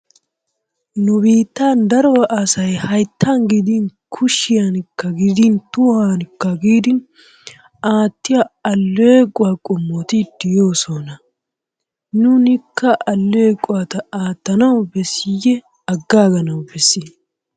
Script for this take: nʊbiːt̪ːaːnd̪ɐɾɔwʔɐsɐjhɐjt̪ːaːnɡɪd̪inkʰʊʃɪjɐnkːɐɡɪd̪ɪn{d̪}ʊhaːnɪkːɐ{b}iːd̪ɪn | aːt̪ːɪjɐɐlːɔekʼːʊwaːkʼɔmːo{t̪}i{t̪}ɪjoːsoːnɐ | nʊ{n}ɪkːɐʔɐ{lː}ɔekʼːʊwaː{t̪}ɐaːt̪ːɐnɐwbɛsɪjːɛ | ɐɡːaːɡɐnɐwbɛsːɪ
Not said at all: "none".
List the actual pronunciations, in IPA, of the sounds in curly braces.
t̪, ɡ, t̪, d̪, n, lː, t̪

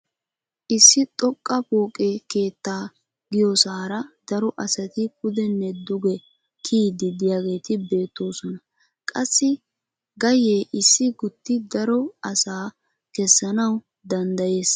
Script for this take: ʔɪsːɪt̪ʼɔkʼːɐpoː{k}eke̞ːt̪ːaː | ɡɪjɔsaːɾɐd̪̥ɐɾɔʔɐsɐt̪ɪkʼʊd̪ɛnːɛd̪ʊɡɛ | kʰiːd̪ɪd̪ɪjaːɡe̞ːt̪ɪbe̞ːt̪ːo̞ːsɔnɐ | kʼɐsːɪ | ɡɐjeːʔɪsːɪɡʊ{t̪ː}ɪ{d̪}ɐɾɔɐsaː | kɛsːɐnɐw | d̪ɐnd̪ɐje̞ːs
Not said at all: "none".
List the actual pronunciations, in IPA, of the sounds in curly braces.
kʼ, t̪ː, d̪

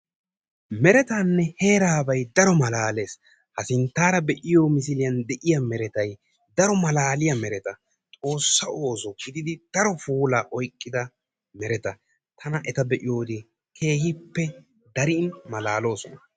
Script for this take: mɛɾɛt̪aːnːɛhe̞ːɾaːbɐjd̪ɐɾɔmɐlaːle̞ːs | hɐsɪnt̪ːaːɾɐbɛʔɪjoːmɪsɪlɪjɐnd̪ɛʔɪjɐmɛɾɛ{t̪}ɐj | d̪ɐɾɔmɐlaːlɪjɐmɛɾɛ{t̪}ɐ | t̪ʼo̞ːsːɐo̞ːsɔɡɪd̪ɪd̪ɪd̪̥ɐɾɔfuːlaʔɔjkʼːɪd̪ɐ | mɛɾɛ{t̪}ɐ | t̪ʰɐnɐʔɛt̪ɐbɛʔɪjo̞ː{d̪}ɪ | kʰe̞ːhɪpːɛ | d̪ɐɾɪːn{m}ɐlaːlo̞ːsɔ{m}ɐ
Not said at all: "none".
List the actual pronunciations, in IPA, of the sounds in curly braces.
t̪, t̪, t̪, d̪, m, n

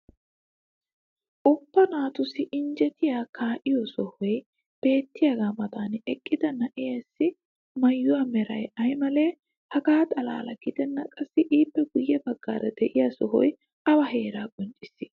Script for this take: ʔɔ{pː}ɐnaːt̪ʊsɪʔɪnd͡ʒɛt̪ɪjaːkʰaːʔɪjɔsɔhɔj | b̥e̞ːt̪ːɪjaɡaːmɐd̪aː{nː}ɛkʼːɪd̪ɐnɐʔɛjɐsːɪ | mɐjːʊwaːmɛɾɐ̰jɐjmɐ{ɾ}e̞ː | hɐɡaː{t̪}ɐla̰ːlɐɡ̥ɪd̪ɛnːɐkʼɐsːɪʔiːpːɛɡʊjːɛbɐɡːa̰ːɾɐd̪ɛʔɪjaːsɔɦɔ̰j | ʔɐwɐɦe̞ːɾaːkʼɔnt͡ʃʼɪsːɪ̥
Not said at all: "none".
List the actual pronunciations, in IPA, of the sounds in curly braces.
pː, n, l, t̪ʼ

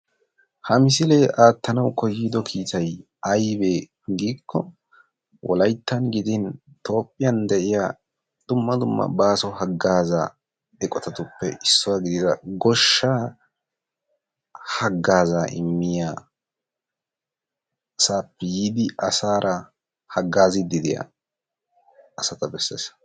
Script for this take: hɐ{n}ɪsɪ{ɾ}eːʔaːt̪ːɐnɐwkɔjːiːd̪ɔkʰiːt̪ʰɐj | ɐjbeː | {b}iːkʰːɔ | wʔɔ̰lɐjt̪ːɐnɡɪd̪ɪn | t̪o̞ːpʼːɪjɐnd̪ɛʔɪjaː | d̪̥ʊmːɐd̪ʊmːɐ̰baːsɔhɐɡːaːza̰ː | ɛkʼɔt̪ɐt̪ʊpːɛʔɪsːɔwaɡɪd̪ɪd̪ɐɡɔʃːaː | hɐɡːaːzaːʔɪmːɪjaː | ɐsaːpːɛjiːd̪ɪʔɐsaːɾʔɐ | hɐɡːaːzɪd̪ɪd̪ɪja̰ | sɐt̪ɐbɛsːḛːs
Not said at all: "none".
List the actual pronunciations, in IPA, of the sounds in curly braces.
m, l, ɡ

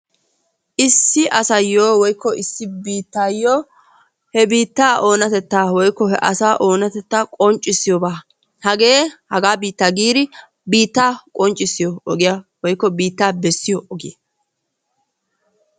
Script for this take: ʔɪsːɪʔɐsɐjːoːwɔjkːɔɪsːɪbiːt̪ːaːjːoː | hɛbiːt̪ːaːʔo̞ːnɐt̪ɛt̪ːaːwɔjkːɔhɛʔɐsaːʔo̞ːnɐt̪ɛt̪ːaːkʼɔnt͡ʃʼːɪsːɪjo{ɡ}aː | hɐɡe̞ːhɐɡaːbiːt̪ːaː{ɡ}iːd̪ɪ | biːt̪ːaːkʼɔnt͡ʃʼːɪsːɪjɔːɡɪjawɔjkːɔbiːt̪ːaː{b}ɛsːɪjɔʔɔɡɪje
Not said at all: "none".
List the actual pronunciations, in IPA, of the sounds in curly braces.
b, ɡ, b

